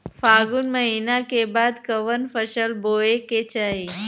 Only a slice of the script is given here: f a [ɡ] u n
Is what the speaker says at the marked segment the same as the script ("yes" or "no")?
yes